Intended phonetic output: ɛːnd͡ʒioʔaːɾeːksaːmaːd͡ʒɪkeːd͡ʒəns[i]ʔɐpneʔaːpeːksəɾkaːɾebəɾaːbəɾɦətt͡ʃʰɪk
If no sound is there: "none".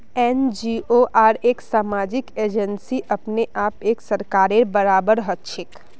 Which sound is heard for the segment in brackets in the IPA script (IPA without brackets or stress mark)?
i